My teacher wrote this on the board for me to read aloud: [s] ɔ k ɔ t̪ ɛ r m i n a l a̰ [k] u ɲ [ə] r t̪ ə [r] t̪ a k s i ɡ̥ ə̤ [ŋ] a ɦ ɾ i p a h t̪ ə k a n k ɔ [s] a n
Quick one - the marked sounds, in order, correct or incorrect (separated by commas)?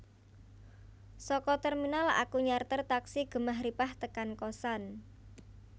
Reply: correct, correct, incorrect, correct, incorrect, correct